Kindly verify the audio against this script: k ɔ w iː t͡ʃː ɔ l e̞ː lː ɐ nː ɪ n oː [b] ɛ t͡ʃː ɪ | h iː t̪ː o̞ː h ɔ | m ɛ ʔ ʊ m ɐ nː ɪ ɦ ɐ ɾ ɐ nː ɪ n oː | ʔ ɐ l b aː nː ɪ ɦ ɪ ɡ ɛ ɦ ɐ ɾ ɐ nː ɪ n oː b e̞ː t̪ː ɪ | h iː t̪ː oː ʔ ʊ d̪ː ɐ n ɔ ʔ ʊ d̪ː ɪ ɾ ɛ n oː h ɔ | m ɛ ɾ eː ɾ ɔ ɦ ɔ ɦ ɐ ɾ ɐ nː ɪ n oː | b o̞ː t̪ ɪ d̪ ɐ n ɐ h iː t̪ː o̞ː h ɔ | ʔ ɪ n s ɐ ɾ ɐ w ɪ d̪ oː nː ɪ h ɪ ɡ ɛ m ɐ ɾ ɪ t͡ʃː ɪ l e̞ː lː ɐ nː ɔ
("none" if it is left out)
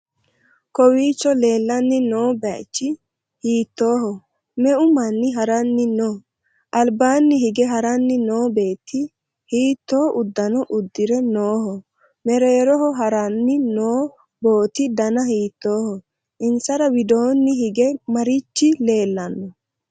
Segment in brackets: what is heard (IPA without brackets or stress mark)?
b